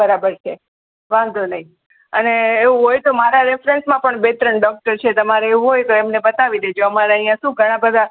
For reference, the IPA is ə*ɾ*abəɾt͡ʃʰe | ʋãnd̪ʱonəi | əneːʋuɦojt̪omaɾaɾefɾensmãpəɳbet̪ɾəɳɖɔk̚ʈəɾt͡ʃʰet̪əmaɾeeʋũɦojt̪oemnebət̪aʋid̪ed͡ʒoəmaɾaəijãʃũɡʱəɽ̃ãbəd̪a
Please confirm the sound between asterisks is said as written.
yes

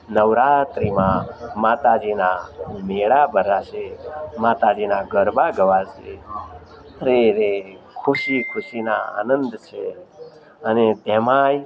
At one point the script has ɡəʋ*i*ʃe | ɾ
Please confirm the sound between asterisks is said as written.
no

